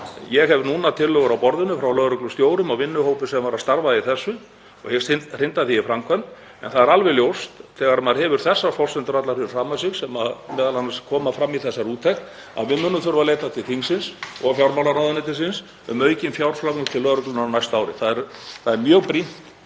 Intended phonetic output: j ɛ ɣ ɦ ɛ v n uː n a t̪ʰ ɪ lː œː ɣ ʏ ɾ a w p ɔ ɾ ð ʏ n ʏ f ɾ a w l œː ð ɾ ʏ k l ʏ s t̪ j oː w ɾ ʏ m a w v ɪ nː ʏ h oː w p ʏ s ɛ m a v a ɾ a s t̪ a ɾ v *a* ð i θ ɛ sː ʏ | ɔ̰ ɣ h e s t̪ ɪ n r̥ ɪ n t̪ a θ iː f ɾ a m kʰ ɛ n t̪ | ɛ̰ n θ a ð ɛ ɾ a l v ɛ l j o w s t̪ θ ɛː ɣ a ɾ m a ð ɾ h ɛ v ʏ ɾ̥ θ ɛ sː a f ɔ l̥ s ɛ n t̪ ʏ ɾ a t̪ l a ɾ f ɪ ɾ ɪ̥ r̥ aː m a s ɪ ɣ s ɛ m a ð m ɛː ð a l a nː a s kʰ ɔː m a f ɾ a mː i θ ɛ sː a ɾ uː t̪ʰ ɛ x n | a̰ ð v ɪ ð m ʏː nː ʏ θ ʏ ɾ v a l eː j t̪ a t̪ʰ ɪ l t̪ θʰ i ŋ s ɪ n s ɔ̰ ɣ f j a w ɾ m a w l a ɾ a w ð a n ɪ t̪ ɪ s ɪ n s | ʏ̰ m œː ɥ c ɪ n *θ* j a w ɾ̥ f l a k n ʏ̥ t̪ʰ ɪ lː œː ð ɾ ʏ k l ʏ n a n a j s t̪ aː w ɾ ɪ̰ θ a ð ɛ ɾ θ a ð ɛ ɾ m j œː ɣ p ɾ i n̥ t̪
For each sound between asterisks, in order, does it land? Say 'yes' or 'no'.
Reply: yes, no

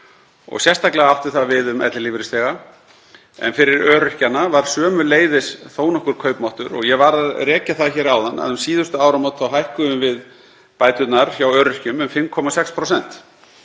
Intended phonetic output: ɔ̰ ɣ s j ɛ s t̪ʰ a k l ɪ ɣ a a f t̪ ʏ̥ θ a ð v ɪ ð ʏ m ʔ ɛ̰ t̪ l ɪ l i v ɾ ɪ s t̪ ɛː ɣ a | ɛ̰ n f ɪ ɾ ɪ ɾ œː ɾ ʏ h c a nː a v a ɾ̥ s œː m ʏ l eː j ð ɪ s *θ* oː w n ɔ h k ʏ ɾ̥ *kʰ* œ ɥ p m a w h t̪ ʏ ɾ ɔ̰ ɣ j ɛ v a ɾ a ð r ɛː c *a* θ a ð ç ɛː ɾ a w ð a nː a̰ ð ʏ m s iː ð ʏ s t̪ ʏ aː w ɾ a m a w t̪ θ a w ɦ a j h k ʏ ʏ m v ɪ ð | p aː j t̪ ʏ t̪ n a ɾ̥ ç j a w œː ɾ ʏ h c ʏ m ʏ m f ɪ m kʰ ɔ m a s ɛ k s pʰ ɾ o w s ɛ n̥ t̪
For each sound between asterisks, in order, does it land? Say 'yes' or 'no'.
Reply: yes, yes, yes

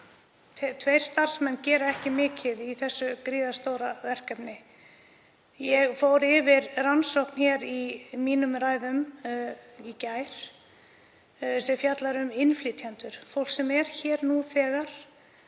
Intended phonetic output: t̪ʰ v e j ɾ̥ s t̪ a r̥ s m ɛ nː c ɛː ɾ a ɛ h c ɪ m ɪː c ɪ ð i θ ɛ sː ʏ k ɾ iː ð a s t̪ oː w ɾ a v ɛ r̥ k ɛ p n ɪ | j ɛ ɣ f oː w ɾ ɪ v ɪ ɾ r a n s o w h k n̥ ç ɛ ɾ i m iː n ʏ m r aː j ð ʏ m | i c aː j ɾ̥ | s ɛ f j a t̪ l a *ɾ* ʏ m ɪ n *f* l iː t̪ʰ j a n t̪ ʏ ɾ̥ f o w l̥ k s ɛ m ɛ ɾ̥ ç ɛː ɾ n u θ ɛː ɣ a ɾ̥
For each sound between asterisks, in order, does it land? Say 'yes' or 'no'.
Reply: yes, yes

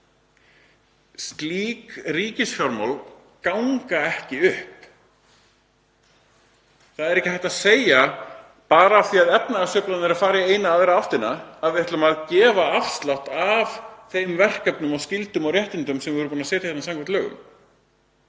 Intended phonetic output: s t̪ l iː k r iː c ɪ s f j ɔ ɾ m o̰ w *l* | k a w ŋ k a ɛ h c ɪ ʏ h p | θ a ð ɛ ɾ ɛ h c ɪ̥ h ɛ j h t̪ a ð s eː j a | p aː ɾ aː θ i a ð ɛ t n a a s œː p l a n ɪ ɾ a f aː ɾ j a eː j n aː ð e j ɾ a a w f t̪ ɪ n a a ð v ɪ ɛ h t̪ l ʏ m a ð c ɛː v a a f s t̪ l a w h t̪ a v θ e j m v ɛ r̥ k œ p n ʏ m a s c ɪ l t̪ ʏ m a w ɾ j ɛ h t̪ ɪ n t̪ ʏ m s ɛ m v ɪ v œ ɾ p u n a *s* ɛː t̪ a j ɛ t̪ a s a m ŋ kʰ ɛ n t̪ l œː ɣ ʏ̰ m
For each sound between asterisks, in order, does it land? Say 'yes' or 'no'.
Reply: yes, yes

